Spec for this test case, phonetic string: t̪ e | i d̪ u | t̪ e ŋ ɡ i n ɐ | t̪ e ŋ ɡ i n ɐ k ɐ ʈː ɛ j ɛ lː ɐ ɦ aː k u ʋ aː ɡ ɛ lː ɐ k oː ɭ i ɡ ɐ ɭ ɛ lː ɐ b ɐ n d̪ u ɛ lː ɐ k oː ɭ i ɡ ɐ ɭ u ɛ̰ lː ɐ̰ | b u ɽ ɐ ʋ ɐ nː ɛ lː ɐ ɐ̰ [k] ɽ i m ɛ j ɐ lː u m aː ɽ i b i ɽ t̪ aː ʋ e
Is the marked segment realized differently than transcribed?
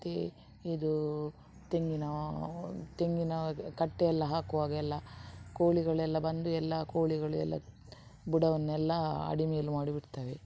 yes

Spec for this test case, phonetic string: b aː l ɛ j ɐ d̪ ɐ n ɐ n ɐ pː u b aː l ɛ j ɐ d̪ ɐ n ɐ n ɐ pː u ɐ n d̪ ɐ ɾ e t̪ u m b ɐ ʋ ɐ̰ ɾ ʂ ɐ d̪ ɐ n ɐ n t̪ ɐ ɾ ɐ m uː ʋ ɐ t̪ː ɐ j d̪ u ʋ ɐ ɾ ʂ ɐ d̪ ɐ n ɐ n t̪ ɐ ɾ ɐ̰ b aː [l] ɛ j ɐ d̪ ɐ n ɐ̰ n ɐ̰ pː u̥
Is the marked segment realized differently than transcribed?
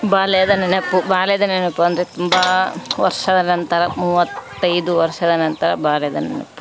no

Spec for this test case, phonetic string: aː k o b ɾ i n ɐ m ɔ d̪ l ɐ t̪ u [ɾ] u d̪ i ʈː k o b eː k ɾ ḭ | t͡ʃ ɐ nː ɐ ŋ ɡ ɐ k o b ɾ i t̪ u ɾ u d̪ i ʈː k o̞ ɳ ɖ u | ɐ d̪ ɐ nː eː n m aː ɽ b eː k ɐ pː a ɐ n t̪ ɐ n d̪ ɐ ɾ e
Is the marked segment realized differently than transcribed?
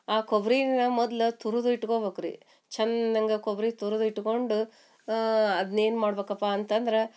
no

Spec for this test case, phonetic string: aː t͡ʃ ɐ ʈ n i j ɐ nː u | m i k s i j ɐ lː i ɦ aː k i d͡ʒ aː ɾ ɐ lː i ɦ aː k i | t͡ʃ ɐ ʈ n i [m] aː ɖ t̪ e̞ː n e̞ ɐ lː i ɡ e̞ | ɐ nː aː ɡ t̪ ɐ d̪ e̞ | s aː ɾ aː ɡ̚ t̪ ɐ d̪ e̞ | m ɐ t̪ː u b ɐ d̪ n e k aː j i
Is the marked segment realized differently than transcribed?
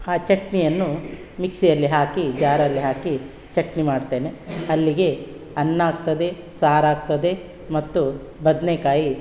no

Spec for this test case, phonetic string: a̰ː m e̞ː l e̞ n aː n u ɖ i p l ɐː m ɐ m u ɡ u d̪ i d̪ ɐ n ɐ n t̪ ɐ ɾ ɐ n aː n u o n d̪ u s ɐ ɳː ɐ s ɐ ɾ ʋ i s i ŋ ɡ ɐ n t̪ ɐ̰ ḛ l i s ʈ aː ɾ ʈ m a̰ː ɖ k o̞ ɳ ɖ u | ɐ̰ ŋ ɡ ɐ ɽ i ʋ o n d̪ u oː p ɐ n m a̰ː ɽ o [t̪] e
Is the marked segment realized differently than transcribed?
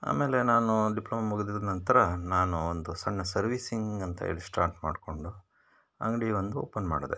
yes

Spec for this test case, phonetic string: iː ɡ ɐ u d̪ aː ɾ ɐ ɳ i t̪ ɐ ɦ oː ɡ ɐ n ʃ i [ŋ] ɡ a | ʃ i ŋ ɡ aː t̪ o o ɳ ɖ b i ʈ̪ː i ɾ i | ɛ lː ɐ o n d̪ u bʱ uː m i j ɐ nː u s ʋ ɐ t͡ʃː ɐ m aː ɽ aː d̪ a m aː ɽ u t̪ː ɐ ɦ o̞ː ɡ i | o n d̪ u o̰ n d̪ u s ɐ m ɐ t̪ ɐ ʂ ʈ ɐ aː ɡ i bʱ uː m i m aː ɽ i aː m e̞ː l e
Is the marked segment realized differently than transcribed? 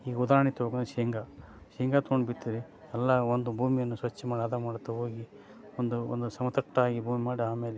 no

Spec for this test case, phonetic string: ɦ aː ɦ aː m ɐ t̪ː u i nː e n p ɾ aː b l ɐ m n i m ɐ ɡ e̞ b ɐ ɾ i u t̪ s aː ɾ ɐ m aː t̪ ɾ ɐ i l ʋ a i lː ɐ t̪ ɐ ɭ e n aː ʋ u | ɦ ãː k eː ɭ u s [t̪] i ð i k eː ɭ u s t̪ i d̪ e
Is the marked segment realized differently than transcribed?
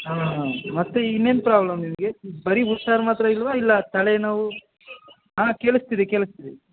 no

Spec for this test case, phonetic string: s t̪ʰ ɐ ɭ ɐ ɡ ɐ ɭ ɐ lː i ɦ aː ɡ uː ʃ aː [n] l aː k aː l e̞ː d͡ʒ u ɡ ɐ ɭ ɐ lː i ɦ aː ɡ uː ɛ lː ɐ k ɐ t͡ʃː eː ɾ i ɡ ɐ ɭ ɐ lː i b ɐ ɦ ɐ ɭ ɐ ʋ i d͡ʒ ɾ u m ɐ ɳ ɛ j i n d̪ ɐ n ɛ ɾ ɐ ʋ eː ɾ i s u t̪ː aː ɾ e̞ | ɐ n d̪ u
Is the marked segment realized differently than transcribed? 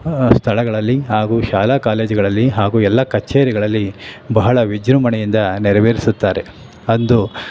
yes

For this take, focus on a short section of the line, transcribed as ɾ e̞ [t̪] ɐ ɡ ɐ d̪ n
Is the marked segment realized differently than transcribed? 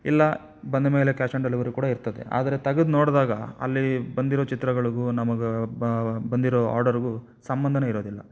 no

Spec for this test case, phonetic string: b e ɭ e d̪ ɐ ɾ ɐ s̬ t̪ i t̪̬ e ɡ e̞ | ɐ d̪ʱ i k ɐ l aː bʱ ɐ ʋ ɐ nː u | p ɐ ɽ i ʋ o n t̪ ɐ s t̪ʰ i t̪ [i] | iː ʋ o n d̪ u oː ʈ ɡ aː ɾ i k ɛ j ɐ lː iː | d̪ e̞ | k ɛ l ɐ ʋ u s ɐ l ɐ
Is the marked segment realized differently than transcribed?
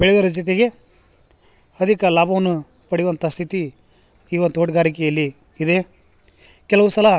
no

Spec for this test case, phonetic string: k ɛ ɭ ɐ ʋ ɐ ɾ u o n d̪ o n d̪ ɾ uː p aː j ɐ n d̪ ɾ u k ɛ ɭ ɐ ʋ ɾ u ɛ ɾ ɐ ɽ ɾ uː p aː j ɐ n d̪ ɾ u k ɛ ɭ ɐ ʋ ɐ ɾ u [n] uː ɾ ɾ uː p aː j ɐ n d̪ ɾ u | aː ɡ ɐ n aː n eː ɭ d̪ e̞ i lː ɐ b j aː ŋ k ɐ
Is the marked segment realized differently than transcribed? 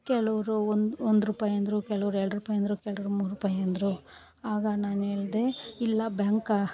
yes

